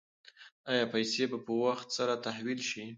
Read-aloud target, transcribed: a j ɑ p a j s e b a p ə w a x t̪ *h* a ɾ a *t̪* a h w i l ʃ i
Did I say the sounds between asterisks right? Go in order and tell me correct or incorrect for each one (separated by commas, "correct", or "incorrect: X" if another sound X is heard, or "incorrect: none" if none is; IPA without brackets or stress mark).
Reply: incorrect: s, correct